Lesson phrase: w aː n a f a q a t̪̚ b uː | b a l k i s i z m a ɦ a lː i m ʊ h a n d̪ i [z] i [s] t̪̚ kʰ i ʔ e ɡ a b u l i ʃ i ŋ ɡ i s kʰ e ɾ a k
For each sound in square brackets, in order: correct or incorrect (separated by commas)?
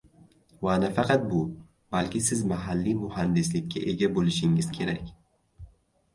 incorrect, incorrect